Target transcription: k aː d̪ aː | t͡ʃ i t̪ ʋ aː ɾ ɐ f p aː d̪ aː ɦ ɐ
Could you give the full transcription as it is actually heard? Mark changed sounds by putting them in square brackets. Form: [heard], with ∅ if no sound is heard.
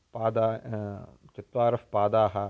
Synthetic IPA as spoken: [p] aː d̪ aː | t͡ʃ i t̪ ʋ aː ɾ ɐ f p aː d̪ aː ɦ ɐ